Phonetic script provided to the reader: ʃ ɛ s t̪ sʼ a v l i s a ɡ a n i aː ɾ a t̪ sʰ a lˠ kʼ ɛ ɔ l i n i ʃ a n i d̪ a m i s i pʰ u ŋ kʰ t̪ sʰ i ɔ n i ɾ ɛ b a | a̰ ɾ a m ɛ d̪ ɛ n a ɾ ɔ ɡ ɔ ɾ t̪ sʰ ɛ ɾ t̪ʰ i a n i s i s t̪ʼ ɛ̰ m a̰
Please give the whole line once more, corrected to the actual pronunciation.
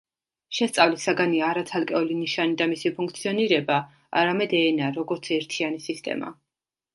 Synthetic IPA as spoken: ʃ ɛ s t̪ sʼ a v l i s a ɡ a n i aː ɾ a t̪ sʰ a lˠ kʼ ɛ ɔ l i n i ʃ a n i d̪ a m i s i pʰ u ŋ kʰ t̪ sʰ i ɔ n i ɾ ɛ b a | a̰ ɾ a m ɛ d̪ ɛ n a ɾ ɔ ɡ ɔ ɾ t̪ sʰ ɛ ɾ t̪ʰ i a n i s i s t̪ʼ ɛ̰ m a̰